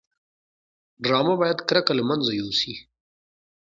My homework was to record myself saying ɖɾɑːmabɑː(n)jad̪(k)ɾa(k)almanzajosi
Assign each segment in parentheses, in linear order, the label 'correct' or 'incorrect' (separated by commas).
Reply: incorrect, correct, correct